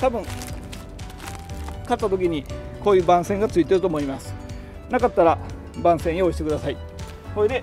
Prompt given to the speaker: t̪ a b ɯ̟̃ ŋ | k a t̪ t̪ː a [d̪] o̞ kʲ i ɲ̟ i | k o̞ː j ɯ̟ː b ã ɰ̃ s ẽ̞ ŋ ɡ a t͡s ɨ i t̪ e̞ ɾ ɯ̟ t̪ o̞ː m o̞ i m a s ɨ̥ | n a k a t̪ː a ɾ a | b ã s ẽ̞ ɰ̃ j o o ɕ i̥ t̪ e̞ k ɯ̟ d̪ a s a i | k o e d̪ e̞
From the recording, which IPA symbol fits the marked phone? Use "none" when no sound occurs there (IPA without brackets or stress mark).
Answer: t̪